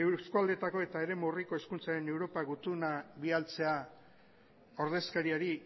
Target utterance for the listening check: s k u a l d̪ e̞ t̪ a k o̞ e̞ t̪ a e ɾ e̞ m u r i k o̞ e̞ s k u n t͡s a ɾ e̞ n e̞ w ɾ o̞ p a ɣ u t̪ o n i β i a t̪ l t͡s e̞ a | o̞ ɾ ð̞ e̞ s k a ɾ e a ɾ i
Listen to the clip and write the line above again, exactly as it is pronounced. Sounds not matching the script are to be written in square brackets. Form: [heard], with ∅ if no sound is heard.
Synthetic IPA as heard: s k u a l d̪ e̞ t̪ a k o̞ e̞ t̪ a e ɾ e̞ m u r i k o̞ e̞ s k u n t͡s a ɾ e̞ n e̞ w ɾ o̞ p a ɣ u t̪ [u] n [a] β i a [∅] l t͡s e̞ a | o̞ ɾ ð̞ e̞ s k a ɾ [i] a ɾ i

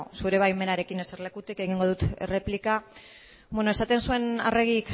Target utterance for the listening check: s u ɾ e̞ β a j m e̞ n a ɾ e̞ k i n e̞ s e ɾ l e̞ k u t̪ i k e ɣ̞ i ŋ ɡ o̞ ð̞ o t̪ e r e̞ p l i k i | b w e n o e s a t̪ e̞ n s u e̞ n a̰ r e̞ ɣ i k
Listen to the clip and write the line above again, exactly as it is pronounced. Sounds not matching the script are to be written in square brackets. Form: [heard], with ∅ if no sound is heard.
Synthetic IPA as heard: s u ɾ e̞ β a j m e̞ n a ɾ e̞ k i n e̞ s e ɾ l e̞ k u t̪ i k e ɣ̞ i ŋ ɡ o̞ ð̞ [u] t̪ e r e̞ p l i k [a] | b w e n o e s a t̪ e̞ n s u e̞ n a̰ r e̞ ɣ i k

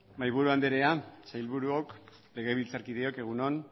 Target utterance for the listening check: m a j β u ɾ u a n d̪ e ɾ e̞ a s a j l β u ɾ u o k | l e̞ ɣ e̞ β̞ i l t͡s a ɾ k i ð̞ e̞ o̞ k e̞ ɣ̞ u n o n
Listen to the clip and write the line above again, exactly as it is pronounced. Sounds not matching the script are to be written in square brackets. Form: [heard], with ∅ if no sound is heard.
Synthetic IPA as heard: m a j β u ɾ u a n d̪ e ɾ e̞ a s a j l β u ɾ u o k | l e̞ ɣ e̞ β̞ i l t͡s a ɾ k i ð̞ e̞ o̞ k e̞ ɣ̞ u n o n

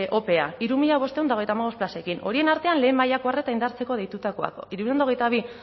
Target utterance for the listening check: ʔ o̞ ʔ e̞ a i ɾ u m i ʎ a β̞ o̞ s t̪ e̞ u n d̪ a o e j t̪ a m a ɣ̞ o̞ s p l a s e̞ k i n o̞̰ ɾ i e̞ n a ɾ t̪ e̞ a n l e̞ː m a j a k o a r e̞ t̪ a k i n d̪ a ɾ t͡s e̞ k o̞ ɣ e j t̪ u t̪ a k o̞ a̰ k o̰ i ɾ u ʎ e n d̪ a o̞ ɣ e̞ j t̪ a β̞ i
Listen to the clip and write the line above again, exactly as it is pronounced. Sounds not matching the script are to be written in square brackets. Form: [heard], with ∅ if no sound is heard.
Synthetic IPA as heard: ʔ o̞ [p] e̞ a i ɾ u m i ʎ a β̞ o̞ s t̪ e̞ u n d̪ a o e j t̪ a m a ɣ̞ o̞ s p l a s e̞ k i n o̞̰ ɾ i e̞ n a ɾ t̪ e̞ a n l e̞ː m a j a k o a r e̞ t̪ a [∅] i n d̪ a ɾ t͡s e̞ k o̞ [ð] e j t̪ u t̪ a k o̞ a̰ k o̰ i ɾ u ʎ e n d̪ a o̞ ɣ e̞ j t̪ a β̞ i

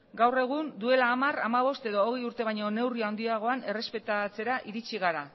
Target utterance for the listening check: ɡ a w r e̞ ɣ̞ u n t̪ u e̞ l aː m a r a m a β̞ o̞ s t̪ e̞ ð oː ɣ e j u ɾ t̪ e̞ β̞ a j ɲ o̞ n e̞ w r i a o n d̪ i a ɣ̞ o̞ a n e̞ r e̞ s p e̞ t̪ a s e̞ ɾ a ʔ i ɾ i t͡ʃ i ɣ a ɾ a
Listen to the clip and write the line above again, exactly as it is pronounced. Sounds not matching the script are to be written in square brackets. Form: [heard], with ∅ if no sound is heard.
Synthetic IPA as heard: ɡ a w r e̞ ɣ̞ u n [d̪] u e̞ l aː m a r a m a β̞ o̞ s t̪ e̞ ð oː ɣ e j u ɾ t̪ e̞ β̞ a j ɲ o̞ n e̞ w r i a o n d̪ i a ɣ̞ o̞ a n e̞ r e̞ s p e̞ t̪ a [t͡s] e̞ ɾ a ʔ i ɾ i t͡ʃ i ɣ a ɾ a

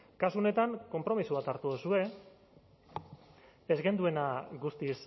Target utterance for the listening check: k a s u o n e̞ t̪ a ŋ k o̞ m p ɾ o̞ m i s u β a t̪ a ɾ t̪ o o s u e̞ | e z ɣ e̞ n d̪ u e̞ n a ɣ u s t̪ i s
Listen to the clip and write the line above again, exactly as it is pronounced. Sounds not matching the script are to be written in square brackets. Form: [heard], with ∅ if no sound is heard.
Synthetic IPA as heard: k a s u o n e̞ t̪ a ŋ k o̞ m p ɾ o̞ m i s u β a t̪ a ɾ t̪ [u] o s u e̞ | e z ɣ e̞ n d̪ u e̞ n a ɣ u s t̪ i s

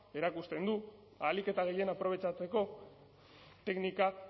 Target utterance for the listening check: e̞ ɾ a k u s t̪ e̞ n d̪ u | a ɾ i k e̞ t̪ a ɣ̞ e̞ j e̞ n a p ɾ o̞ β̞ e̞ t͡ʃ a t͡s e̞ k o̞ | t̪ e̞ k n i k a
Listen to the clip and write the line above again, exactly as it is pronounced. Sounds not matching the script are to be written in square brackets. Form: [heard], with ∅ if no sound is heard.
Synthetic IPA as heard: e̞ ɾ a k u s t̪ e̞ n d̪ u | a [l] i k e̞ t̪ a ɣ̞ e̞ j e̞ n a p ɾ o̞ β̞ e̞ t͡ʃ a t͡s e̞ k o̞ | t̪ e̞ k n i k a

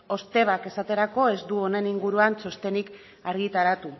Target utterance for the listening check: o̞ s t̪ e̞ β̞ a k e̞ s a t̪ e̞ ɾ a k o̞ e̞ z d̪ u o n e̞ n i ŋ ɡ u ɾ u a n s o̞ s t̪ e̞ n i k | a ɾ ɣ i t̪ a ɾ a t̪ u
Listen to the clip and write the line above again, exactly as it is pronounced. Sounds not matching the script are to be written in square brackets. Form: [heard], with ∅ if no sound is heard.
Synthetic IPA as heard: o̞ s t̪ e̞ β̞ a k e̞ s a t̪ e̞ ɾ a k o̞ e̞ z d̪ u o n e̞ n i ŋ ɡ u ɾ u a n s o̞ s t̪ e̞ n i k | a ɾ ɣ i t̪ a ɾ a t̪ u

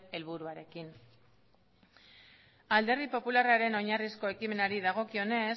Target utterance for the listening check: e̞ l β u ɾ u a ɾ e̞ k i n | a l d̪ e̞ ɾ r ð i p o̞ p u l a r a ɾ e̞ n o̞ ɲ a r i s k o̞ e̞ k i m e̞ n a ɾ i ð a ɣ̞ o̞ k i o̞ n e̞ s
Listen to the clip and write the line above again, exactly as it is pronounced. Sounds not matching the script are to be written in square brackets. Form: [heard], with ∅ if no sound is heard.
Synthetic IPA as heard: e̞ l β u ɾ u a ɾ e̞ k i n | a l d̪ e̞ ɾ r ð i p o̞ p u l a r a ɾ e̞ n o̞ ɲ a r i s k o̞ e̞ k i m e̞ n a ɾ i ð a ɣ̞ o̞ k i o̞ n e̞ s

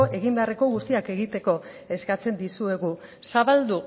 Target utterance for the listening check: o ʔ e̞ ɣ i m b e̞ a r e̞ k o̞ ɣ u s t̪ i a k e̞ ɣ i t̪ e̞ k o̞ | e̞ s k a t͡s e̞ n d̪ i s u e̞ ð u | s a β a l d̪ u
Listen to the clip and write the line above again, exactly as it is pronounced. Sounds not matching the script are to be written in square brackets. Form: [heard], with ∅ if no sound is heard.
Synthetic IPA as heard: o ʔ e̞ ɣ i m b e̞ a r e̞ k o̞ ɣ u s t̪ i a k e̞ ɣ i t̪ e̞ k o̞ | e̞ s k a t͡s e̞ n d̪ i s u e̞ [ɣ] u | s a β a l d̪ u

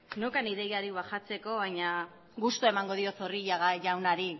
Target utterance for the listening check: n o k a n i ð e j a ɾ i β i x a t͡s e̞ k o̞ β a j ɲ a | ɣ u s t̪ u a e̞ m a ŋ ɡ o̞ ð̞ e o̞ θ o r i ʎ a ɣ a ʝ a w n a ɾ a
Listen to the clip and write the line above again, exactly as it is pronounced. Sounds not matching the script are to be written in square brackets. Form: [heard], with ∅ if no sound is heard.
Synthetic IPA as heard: n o k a n i ð e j a ɾ i β [a] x a t͡s e̞ k o̞ β a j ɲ a | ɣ u s t̪ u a e̞ m a ŋ ɡ o̞ ð̞ [i] o̞ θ o r i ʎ a ɣ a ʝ a w n a ɾ [i]

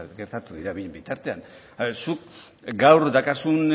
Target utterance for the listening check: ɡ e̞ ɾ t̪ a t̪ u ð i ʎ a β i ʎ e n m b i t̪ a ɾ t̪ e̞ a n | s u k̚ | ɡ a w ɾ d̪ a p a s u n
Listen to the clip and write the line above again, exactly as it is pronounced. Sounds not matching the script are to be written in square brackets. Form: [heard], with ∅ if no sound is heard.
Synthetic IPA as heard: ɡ e̞ ɾ t̪ a t̪ u ð i [ɾ] a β i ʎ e [∅] m b i t̪ a ɾ t̪ e̞ a n | s u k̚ | ɡ a w ɾ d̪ a [k] a s u n

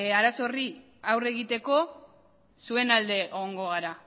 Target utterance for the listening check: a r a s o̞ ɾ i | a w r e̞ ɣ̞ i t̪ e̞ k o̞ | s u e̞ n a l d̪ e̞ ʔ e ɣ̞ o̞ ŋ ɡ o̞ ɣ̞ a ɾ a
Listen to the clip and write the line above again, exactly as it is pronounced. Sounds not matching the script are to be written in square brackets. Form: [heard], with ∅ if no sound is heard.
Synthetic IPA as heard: a [ɾ] a s o̞ [r] i | a w r e̞ ɣ̞ i t̪ e̞ k o̞ | s u e̞ n a l d̪ e̞ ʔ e ɣ̞ o̞ ŋ ɡ o̞ ɣ̞ a ɾ a

